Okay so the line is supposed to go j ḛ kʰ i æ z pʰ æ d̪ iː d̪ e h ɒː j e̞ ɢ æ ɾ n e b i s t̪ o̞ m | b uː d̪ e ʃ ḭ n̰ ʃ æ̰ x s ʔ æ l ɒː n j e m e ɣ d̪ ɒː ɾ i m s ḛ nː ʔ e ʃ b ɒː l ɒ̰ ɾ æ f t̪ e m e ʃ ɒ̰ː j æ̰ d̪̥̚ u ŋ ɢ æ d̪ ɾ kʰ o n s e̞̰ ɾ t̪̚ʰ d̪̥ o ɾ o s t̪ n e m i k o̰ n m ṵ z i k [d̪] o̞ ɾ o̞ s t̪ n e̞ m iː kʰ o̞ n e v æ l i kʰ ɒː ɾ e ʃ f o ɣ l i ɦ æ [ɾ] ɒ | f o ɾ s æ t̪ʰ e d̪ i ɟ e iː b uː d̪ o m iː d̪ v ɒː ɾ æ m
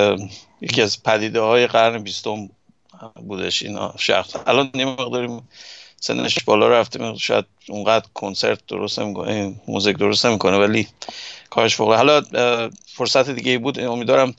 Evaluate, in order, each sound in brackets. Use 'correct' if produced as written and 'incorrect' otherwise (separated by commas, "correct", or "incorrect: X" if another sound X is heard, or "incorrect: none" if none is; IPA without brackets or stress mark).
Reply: correct, incorrect: l